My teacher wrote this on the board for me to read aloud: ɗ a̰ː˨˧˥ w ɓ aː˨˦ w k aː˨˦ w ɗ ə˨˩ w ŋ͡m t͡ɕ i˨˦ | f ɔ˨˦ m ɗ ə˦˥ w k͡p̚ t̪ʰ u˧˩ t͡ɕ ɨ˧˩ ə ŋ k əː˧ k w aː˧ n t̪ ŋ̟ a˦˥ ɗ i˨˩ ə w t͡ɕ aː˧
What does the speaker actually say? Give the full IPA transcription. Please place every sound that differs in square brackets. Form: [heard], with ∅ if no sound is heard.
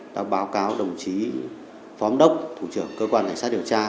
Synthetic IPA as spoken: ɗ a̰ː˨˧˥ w ɓ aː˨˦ w k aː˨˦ w ɗ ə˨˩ w ŋ͡m t͡ɕ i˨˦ | f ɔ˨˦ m ɗ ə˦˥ w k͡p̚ t̪ʰ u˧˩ t͡ɕ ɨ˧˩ ə ŋ k əː˧ k w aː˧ n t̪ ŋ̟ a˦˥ ɗ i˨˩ ə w t͡ɕ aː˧